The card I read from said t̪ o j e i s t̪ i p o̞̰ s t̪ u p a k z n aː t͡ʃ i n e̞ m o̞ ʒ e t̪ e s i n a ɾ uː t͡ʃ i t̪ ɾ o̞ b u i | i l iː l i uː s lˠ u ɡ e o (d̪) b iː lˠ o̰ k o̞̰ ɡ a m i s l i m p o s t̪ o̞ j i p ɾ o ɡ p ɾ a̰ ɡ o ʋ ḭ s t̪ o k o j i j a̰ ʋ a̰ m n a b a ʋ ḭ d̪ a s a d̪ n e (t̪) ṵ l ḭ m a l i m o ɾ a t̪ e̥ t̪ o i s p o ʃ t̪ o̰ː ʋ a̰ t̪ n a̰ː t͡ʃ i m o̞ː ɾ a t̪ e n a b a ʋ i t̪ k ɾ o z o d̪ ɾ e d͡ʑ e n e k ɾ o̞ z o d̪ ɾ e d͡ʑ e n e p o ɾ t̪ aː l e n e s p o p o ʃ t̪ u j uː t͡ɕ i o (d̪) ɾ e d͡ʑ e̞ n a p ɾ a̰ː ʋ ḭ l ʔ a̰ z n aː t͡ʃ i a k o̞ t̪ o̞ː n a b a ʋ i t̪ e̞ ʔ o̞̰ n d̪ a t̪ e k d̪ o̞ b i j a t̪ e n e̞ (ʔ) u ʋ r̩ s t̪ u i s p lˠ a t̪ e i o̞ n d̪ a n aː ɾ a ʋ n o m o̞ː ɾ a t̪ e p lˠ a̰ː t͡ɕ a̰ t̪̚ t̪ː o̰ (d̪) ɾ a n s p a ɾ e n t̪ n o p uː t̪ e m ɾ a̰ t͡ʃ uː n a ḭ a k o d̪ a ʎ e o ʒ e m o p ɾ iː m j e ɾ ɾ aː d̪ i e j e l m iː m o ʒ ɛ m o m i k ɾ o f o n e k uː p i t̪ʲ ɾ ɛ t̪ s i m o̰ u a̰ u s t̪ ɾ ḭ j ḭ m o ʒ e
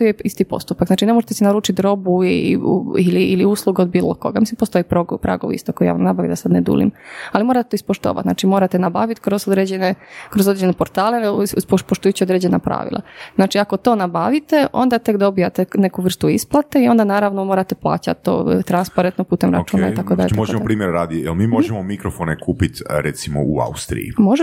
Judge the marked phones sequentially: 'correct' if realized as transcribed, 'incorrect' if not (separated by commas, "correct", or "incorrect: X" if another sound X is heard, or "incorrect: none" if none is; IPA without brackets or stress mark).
correct, incorrect: d̪, correct, incorrect: k, incorrect: t̪